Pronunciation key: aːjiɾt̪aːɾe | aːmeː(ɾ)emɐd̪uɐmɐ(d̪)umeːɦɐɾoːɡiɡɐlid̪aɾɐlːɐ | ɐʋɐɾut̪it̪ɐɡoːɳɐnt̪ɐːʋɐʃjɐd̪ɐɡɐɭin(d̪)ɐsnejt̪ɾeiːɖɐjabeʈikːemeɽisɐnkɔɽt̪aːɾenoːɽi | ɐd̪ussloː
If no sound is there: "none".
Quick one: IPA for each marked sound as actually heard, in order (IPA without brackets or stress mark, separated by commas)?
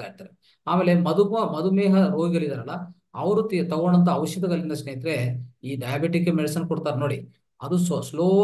l, d̪, d̪